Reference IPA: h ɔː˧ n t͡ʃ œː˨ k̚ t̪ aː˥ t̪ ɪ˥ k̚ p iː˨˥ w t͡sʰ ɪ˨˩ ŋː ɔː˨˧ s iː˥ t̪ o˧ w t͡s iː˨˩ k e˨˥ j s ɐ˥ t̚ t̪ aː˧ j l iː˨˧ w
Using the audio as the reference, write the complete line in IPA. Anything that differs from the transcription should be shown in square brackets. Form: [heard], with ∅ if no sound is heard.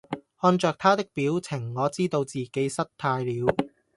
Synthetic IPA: h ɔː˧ n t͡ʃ œː˨ k̚ [t̪ʰ] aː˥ t̪ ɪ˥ k̚ p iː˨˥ w t͡sʰ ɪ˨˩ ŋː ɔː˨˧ [t͡s] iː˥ t̪ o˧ w t͡s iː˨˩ k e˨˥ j s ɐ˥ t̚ [t̪ʰ] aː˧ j l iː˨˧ w